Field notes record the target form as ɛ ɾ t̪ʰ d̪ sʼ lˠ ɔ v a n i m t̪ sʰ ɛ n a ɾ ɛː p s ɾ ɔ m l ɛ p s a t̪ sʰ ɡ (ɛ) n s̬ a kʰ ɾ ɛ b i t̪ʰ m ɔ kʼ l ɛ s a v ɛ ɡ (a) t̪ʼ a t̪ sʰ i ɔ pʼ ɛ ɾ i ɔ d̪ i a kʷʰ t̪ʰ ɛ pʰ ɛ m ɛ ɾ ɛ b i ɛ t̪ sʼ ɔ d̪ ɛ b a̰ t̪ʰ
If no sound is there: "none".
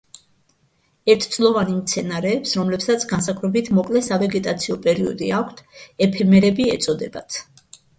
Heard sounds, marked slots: a, ɛ

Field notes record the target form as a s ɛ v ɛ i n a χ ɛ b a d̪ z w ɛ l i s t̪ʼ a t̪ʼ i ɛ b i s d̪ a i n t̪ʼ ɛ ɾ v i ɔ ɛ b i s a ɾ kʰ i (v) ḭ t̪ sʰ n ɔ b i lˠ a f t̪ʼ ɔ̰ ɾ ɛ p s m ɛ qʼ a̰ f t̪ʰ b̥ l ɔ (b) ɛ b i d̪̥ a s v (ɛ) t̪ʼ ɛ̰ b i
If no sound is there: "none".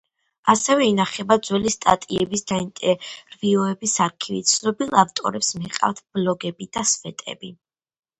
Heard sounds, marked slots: v, ɡ, ɛ

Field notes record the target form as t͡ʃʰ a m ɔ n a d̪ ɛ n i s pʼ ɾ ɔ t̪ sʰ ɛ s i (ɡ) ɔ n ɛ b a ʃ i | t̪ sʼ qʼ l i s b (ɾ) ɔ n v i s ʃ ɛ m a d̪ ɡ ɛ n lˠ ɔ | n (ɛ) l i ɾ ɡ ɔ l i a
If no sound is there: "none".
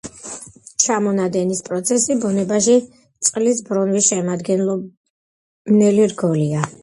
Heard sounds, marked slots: b, ɾ, ɛ

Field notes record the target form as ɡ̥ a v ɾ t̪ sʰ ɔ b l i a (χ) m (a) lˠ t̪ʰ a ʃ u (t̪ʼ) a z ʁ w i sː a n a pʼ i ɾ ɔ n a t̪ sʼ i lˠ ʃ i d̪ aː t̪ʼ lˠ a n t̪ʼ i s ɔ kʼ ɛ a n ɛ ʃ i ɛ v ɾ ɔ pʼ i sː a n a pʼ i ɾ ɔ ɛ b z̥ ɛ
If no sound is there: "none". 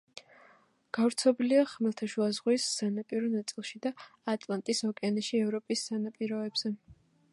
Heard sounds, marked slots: χ, ɛ, none

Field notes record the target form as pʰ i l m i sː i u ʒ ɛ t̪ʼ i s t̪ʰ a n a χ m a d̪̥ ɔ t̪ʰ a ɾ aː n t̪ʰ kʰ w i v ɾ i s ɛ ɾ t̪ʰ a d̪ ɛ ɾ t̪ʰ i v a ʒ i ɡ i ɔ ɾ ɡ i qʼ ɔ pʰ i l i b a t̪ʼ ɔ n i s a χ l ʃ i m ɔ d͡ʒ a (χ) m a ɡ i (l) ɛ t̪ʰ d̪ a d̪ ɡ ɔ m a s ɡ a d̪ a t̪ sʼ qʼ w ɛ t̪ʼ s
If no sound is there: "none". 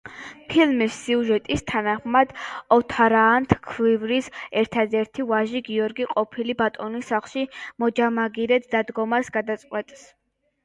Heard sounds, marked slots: none, ɾ

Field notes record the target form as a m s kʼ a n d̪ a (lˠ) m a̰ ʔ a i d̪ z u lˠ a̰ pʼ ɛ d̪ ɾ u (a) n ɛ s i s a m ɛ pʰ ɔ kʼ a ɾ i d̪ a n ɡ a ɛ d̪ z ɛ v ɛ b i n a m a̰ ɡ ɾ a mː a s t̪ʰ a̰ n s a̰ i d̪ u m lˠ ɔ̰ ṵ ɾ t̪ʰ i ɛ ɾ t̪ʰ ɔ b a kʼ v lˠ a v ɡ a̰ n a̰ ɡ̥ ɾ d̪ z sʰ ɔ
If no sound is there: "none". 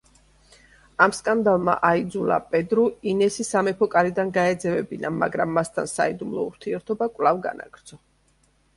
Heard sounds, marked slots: lˠ, i

